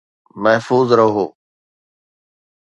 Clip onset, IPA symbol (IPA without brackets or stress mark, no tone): m